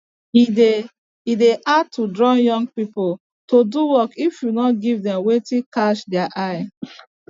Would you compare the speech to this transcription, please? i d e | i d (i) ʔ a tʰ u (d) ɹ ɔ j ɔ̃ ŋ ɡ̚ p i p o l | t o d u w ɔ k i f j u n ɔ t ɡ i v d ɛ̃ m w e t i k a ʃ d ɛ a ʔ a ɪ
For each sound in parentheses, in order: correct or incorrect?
incorrect, correct

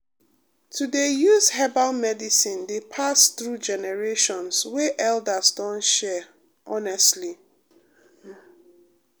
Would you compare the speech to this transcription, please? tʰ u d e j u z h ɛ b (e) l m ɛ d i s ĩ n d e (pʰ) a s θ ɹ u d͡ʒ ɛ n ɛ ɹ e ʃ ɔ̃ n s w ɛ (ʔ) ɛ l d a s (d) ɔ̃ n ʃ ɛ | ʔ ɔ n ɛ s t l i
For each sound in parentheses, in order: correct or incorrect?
incorrect, correct, correct, correct

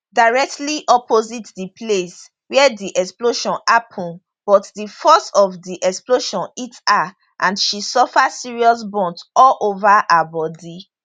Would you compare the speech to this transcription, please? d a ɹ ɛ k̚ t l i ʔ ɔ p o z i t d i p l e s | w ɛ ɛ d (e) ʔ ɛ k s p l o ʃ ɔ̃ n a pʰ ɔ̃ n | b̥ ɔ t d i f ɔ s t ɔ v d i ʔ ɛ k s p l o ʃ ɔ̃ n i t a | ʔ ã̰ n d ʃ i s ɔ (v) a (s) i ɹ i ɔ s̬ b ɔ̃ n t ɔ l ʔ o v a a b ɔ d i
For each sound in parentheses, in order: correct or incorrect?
incorrect, incorrect, correct

